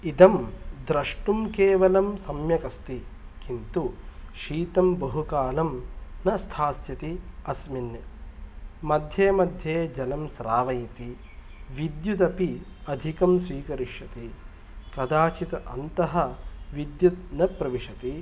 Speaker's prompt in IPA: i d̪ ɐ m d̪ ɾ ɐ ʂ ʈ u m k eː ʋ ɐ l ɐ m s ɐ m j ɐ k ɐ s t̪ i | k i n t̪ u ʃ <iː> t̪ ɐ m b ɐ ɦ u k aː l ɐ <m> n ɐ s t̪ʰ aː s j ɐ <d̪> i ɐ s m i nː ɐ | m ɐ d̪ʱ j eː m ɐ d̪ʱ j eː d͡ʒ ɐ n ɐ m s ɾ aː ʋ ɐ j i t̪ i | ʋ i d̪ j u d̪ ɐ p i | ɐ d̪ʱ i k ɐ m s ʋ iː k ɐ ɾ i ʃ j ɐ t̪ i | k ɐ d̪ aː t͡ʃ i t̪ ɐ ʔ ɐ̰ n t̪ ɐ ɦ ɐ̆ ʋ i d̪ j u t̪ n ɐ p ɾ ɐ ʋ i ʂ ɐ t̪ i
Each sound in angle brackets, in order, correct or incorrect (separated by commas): correct, correct, incorrect